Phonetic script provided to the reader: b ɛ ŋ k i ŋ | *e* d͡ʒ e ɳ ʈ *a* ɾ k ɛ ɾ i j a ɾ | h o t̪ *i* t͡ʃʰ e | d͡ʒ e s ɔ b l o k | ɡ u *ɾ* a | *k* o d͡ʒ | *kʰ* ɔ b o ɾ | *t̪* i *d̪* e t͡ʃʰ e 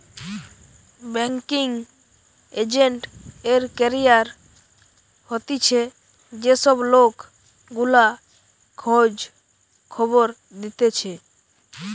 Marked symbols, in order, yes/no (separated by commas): yes, no, yes, no, no, yes, no, no